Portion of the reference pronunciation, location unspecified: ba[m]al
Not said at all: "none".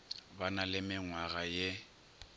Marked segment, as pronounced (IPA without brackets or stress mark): n